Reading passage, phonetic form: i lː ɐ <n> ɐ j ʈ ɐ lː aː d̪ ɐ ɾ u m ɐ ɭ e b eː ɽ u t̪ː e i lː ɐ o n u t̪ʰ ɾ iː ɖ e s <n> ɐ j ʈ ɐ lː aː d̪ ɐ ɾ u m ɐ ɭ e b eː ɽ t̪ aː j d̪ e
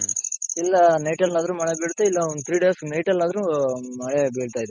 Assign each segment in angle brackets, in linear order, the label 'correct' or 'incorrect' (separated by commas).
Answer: correct, correct